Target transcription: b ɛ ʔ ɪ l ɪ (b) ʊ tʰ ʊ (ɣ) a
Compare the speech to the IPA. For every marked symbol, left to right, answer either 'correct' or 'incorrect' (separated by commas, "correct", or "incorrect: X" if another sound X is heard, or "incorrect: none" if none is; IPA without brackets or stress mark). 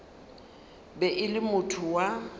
incorrect: m, incorrect: w